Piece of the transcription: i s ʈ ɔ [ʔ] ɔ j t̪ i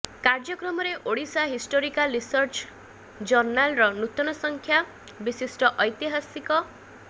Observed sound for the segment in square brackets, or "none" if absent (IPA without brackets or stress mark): ʔ